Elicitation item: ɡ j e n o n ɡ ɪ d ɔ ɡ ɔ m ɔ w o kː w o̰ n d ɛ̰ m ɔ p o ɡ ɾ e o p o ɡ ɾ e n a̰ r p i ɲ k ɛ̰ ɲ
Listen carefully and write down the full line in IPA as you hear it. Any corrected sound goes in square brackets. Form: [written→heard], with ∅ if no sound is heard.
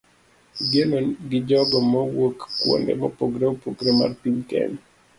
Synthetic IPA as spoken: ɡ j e n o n ɡ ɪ [d→d͡ʒ] ɔ ɡ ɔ m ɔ w o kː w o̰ n d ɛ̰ m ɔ p o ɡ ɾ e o p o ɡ ɾ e [n→m] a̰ r p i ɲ k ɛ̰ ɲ